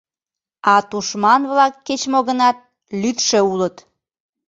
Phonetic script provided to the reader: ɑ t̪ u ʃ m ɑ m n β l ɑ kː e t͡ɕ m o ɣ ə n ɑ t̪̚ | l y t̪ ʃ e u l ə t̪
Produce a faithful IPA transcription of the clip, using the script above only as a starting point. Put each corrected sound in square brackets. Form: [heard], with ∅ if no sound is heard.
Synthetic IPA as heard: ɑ t̪ u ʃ m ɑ [∅] n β l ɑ kː e t͡ɕ m o ɣ ə n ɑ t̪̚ | l y t̪ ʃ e u l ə t̪